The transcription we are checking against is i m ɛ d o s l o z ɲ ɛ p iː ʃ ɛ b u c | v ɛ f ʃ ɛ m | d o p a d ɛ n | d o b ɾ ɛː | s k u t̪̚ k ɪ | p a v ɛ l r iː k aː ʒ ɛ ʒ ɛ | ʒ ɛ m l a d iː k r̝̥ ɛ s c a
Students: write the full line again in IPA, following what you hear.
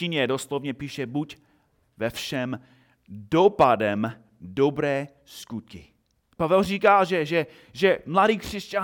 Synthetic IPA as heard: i ɲ ɛ d o s l o v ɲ ɛ p iː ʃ ɛ b u c | v ɛ f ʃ ɛ m | d o p a d ɛ m | d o b ɾ ɛː | s k u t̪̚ k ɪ | p a v ɛ l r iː k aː ʒ ɛ ʒ ɛ | ʒ ɛ m l a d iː k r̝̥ ɛ s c a